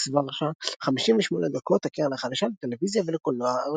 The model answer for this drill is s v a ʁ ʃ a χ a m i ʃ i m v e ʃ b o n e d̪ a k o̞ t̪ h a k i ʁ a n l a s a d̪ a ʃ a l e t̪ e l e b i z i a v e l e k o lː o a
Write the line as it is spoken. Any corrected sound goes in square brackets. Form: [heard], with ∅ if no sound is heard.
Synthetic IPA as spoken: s v a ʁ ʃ a χ a m i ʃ i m v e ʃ [m] o n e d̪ a k o̞ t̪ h a k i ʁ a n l a [χ] a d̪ a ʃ a l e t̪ e l e [v] i z [j] a v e l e k o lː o a